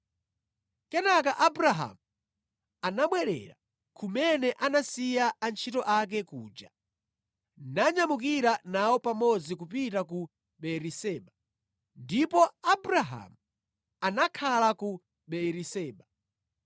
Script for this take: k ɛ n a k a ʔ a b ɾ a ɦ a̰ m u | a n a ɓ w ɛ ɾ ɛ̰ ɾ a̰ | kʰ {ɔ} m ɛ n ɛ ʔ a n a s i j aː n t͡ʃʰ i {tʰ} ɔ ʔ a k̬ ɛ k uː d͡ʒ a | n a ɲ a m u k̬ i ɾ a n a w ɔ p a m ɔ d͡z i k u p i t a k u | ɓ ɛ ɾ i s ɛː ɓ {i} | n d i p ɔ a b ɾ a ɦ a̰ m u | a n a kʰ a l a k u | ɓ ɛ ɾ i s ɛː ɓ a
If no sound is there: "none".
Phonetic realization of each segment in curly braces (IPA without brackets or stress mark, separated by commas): u, t, a